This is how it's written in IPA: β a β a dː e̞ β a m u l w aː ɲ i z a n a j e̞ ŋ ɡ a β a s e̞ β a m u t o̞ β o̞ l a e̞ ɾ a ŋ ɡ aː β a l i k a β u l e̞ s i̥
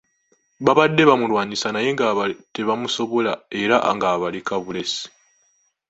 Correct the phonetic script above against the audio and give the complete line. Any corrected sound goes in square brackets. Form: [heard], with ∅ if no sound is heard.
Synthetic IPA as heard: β a β a dː e̞ β a m u l w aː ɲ i [s] a n a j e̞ ŋ ɡ a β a [t] e̞ β a m u [s] o̞ β o̞ l a e̞ ɾ a ŋ ɡ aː β a l i k a β u l e̞ s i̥